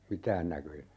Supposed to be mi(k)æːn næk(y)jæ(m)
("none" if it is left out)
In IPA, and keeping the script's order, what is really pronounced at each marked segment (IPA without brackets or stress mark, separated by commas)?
t, ø, none